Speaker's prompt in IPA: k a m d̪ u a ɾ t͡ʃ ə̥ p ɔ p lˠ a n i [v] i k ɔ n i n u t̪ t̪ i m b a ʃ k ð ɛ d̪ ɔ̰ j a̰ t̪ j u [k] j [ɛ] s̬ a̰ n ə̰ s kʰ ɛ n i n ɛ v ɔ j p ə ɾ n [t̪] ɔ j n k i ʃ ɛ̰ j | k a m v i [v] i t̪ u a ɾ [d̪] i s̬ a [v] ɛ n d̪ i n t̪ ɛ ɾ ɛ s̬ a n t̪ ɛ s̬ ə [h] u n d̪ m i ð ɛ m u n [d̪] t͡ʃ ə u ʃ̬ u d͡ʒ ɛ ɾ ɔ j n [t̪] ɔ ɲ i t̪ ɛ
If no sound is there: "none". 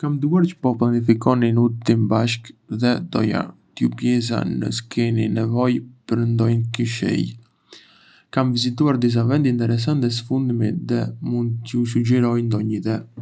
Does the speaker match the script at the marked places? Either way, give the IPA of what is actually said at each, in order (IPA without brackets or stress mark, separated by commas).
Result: f, p, ɛ, d̪, z, d̪, v, f, d̪, d̪